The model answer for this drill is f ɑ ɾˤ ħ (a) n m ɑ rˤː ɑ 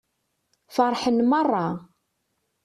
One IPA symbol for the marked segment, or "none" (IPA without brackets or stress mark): ə